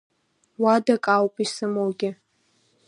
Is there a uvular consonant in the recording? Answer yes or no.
no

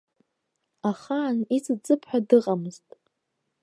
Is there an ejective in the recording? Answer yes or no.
yes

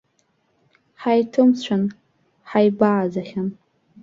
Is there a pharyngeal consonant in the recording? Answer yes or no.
yes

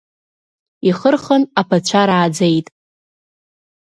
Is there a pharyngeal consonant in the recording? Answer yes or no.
no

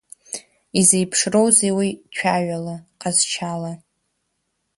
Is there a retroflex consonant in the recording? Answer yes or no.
yes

